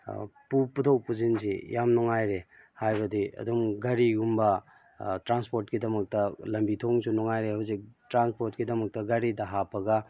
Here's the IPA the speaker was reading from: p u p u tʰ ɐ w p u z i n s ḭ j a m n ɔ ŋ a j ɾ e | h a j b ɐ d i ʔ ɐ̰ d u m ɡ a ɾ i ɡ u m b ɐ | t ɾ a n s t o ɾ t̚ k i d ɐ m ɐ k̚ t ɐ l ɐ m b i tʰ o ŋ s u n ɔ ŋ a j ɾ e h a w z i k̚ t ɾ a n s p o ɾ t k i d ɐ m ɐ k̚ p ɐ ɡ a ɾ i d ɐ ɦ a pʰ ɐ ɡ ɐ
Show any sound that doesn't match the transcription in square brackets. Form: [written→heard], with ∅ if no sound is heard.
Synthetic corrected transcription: p u p u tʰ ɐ w p u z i n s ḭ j a m n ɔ ŋ a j ɾ e | h a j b ɐ d i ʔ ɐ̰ d u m ɡ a ɾ i ɡ u m b ɐ | t ɾ a n s [t→p] o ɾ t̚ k i d ɐ m ɐ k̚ t ɐ l ɐ m b i tʰ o ŋ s u n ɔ ŋ a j ɾ e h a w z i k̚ t ɾ a n s p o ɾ t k i d ɐ m ɐ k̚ [p→t] ɐ ɡ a ɾ i d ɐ ɦ a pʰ ɐ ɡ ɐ